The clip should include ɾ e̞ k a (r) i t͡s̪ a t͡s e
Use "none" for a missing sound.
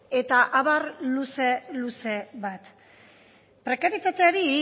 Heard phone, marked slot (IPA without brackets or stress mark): ɾ